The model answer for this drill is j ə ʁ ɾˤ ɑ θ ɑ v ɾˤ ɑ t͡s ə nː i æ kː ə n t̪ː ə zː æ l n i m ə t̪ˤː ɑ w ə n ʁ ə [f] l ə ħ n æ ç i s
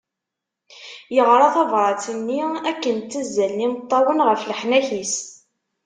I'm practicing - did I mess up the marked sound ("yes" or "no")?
no